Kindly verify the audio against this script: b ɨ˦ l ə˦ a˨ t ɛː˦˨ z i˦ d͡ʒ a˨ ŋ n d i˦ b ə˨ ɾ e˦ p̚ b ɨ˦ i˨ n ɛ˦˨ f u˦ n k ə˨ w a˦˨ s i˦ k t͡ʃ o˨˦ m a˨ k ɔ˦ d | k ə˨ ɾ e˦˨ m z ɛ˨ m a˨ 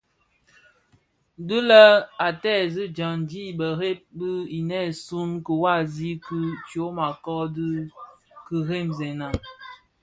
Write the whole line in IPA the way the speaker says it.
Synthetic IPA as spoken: d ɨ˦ l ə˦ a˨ t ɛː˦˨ z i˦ d͡ʒ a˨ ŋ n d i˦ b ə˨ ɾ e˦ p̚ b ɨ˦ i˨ n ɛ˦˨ s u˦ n k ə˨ w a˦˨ z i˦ k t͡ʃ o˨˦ m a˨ k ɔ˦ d | k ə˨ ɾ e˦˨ m z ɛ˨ n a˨

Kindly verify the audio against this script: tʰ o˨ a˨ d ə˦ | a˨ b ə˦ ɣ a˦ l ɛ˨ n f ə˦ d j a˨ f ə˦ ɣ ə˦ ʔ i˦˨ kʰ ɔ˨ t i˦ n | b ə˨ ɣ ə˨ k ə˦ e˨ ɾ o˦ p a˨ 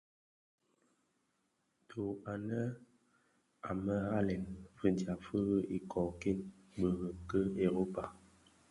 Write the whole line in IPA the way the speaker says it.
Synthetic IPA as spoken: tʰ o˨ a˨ n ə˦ | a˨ m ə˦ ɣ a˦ l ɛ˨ n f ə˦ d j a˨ f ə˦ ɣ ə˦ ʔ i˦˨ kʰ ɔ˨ k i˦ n | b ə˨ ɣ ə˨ k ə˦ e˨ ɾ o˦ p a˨

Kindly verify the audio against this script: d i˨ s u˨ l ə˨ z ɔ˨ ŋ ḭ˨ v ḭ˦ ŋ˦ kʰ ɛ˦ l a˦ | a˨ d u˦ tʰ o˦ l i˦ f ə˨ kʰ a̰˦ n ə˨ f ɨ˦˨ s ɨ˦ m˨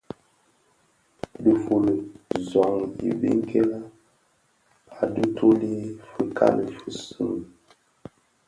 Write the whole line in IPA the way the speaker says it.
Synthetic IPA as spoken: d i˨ f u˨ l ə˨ z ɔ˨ ŋ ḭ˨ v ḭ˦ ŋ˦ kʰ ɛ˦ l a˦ | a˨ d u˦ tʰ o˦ l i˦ f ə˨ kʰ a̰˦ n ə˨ f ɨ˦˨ s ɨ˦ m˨

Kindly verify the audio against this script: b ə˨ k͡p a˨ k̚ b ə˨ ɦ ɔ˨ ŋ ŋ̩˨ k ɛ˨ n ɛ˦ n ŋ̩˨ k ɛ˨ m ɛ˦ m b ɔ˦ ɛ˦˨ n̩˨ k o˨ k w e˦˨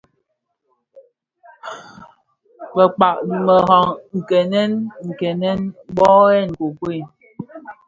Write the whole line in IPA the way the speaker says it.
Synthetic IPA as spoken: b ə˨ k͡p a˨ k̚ m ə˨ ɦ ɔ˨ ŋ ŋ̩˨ k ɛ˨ n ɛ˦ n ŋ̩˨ k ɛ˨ n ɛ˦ n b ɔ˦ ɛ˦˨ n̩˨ k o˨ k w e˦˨

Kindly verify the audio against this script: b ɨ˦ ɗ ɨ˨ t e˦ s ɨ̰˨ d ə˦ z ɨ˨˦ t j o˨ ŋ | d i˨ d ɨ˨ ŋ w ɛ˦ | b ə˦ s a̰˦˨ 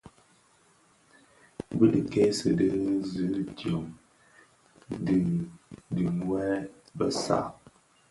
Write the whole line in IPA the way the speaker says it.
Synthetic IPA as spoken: b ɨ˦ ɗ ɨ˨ k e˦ s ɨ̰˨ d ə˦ z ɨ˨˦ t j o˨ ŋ | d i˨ d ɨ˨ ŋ w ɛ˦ | b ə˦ s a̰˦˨

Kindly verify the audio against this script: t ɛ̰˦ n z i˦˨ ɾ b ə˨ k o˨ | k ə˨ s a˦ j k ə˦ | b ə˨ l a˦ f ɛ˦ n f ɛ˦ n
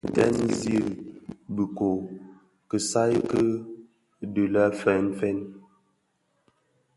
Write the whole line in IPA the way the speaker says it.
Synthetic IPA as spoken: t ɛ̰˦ n z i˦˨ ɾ b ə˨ k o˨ | k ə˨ s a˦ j k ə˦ | d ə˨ l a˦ f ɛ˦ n f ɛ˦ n

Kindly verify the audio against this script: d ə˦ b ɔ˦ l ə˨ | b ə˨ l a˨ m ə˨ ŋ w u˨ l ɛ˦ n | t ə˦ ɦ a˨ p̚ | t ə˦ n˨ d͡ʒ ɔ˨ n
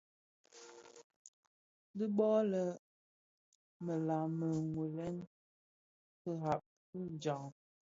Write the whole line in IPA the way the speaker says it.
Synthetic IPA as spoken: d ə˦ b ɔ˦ l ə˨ | m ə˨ l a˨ m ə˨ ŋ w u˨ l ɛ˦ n | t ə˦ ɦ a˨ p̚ | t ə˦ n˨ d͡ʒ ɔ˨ ŋ

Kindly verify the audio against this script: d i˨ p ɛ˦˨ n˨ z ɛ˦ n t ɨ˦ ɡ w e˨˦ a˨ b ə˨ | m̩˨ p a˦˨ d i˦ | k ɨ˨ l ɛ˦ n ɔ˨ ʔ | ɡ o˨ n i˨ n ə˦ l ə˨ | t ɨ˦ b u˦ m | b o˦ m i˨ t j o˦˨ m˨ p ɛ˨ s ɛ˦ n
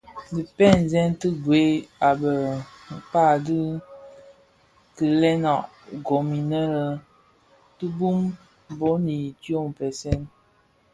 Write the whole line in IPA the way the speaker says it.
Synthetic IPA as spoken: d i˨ p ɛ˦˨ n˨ z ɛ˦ n t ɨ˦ ɡ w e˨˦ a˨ b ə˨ | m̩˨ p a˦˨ d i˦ | k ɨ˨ l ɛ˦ n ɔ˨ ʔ | ɡ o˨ m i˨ n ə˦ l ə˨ | t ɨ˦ b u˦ m | b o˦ n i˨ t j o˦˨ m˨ p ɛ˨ s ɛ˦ n

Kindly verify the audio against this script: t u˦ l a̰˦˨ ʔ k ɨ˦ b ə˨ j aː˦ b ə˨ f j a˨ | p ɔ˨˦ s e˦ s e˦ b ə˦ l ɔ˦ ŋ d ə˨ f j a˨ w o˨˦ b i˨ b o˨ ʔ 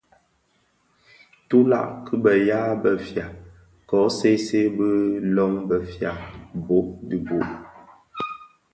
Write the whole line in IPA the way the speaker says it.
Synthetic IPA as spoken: t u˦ l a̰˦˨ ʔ k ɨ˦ b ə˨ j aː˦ b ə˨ f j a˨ | k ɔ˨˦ s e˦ s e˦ b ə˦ l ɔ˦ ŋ b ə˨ f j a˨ b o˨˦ d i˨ b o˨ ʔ

